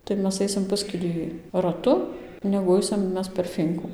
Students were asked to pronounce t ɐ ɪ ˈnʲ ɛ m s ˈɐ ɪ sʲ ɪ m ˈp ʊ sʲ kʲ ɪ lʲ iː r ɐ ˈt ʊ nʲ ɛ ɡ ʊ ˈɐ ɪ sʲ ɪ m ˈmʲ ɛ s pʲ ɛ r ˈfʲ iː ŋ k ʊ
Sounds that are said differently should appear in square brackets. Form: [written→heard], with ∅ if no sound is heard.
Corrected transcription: t ɐ ɪ [ˈnʲ→ˈmʲ] ɛ [m→∅] s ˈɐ ɪ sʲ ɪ m ˈp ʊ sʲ kʲ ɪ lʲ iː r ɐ ˈt ʊ nʲ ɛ ɡ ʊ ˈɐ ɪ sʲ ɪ m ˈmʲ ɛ s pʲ ɛ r ˈfʲ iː ŋ k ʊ